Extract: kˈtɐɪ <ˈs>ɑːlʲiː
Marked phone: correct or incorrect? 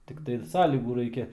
correct